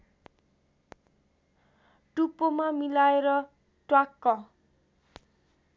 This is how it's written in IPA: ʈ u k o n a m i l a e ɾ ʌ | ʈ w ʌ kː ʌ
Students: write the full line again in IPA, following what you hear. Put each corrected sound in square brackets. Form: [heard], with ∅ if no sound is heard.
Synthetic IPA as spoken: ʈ u [p] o [m] a m i l a e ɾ ʌ | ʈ w [a] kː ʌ